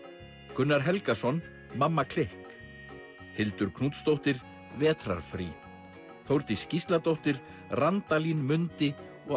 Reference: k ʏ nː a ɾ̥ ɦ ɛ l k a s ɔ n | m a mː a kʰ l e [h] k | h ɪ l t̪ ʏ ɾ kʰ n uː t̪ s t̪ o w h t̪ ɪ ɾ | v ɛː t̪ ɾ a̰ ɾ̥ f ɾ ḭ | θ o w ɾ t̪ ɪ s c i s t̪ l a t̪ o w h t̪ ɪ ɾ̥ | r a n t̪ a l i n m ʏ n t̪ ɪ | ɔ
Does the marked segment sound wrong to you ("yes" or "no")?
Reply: no